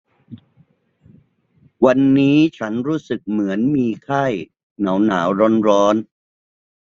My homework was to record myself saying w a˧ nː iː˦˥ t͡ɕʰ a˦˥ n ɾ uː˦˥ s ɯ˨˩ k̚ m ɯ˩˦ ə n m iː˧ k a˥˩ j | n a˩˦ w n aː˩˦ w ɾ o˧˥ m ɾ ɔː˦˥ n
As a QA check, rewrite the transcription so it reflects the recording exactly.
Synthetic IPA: w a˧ nː iː˦˥ t͡ɕʰ a˦˥ n ɾ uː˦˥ s ɯ˨˩ k̚ m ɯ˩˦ ə n m iː˧ kʰ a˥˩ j | n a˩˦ w n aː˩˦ w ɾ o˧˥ n ɾ ɔː˦˥ n